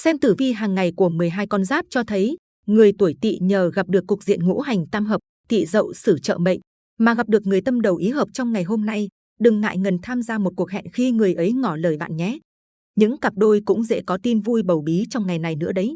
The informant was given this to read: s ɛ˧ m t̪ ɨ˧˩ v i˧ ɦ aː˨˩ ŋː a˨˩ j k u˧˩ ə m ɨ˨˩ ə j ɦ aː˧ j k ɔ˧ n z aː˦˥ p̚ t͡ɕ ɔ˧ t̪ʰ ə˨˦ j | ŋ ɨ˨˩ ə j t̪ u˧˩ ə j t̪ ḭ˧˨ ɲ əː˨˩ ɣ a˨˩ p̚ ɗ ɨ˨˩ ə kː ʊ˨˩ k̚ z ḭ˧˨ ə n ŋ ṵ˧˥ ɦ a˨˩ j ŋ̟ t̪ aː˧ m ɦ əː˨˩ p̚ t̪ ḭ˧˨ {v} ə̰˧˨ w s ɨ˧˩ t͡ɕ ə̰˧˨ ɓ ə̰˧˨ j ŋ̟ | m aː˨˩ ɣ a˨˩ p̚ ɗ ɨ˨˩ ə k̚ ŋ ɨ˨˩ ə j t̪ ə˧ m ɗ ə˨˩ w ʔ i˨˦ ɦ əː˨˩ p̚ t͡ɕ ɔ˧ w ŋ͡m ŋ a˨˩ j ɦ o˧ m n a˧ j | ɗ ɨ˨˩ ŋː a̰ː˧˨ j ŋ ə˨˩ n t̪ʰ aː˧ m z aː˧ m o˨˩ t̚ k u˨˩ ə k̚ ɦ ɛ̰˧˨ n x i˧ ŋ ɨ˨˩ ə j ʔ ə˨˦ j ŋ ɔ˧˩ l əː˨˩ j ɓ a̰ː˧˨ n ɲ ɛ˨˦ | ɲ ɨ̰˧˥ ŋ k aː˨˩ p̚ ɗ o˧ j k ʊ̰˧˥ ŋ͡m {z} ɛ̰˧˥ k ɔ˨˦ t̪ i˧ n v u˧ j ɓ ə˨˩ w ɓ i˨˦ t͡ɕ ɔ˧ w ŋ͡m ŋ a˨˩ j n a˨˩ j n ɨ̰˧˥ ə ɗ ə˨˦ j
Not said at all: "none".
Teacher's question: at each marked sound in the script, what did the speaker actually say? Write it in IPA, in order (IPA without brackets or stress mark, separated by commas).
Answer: z, z